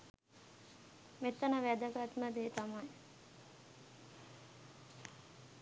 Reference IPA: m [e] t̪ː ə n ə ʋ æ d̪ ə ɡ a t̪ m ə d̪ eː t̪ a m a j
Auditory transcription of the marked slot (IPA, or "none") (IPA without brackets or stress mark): e